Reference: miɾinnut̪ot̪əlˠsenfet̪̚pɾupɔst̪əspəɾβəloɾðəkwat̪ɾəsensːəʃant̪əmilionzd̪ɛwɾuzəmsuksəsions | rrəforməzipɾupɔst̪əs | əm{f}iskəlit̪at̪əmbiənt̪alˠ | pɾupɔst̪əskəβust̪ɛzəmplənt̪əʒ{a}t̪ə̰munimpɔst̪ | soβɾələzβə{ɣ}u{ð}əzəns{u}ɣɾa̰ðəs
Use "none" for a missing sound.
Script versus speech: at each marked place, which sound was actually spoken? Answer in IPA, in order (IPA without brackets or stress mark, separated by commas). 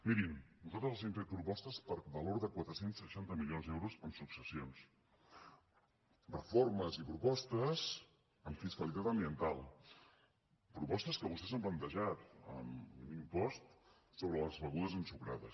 f, a, ɣ, ð, u